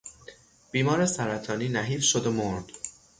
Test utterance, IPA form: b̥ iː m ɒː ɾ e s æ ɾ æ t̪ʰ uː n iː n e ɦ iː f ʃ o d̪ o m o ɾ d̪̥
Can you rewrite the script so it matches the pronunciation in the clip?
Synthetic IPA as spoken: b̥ iː m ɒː ɾ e s æ ɾ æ t̪ʰ ɒː n iː n æ ɦ iː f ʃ o d̪ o m o ɾ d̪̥